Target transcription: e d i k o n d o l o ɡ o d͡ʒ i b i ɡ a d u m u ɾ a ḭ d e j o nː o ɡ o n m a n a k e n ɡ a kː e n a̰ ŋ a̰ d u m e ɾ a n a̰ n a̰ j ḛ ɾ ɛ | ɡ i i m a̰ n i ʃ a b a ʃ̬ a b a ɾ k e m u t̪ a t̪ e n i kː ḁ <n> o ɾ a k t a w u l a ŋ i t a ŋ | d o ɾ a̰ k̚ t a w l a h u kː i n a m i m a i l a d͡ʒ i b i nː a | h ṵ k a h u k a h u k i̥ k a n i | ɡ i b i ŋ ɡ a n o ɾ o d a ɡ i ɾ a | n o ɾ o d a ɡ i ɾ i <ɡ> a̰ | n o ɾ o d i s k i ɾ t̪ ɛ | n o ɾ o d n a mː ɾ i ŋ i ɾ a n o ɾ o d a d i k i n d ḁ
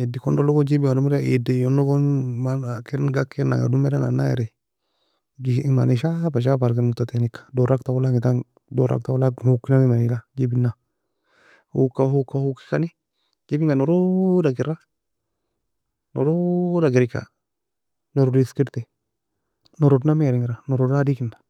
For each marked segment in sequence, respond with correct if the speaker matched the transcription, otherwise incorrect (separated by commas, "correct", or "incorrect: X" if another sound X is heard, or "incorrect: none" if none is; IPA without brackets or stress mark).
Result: incorrect: d, incorrect: k